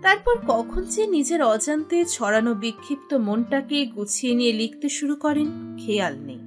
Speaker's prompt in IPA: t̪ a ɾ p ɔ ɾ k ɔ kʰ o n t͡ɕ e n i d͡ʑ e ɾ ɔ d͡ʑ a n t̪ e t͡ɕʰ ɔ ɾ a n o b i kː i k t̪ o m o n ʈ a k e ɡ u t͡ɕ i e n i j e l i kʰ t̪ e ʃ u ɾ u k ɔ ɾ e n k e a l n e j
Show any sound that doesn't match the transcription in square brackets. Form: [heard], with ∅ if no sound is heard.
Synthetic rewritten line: t̪ a ɾ p ɔ ɾ k ɔ kʰ o n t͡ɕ e n i d͡ʑ e ɾ ɔ d͡ʑ a n t̪ e t͡ɕʰ ɔ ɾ a n o b i [kʰː] i [p] t̪ o m o n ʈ a k e ɡ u [t͡ɕʰ] i e n i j e l i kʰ t̪ e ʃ u ɾ u k ɔ ɾ e n [kʰ] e a l n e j